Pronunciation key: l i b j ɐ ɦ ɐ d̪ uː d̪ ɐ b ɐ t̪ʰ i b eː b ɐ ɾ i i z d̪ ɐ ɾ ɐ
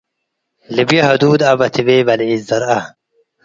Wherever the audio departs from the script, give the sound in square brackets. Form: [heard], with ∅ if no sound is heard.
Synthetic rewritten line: l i b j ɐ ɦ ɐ d̪ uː d̪ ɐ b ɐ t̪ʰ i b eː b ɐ [l] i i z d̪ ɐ ɾ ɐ